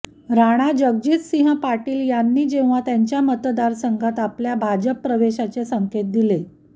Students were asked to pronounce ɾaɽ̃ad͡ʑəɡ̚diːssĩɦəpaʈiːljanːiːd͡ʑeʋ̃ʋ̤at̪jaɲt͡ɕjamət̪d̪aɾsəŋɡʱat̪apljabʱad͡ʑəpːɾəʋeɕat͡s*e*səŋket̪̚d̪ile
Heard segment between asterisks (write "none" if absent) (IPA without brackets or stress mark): e